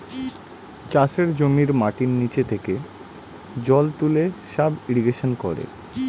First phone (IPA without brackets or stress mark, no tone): t͡ɕ